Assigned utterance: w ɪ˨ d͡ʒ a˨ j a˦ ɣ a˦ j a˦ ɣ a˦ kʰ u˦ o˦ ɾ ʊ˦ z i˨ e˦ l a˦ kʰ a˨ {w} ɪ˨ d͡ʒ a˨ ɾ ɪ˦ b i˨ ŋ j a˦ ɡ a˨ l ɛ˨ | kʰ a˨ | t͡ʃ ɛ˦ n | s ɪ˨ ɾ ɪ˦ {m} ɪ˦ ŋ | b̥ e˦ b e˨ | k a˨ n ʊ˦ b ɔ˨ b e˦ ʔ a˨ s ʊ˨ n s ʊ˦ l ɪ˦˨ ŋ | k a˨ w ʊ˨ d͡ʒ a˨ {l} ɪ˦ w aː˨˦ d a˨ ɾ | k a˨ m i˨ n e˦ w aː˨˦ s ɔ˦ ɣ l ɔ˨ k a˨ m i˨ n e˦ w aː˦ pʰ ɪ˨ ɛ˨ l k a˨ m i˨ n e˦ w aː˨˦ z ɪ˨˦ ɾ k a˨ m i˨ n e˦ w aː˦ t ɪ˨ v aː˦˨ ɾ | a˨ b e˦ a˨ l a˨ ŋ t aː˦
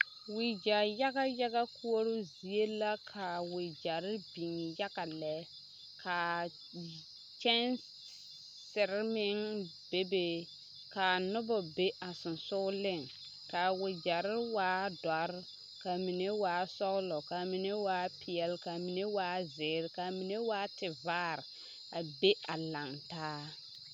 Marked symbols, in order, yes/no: yes, yes, no

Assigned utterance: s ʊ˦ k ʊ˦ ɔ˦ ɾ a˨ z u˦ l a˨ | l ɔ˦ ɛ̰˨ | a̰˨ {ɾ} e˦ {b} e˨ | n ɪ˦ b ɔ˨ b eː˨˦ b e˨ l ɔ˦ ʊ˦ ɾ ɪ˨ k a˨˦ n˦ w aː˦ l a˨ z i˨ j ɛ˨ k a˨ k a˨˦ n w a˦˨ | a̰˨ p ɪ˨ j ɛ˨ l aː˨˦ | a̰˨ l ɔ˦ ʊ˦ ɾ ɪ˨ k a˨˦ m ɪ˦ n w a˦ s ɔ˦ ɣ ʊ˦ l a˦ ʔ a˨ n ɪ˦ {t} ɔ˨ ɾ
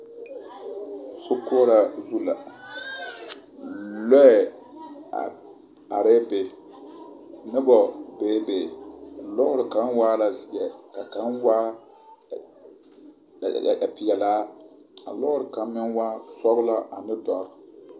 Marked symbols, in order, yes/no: yes, yes, no

